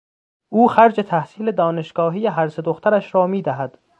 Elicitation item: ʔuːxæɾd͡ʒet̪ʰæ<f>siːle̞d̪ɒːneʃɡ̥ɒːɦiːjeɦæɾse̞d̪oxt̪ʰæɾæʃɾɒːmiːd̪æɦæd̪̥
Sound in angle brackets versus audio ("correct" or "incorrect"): incorrect